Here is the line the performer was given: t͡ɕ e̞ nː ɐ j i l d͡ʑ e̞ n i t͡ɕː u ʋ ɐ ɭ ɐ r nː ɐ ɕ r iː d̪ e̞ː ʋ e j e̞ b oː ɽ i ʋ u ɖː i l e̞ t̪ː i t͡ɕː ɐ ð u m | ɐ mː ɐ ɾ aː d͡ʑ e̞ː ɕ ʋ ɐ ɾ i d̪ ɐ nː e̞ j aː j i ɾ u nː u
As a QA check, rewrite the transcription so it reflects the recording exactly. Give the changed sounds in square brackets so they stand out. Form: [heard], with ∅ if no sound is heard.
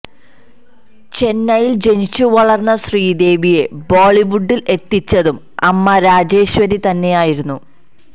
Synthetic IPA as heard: t͡ɕ e̞ nː ɐ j i l d͡ʑ e̞ n i t͡ɕː u ʋ ɐ ɭ ɐ r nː ɐ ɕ r iː d̪ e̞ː ʋ [i] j e̞ b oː [ɭ] i ʋ u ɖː i l e̞ t̪ː i t͡ɕː ɐ ð u m | ɐ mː ɐ ɾ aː d͡ʑ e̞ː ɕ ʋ ɐ ɾ i [t̪] ɐ nː e̞ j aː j i ɾ u nː u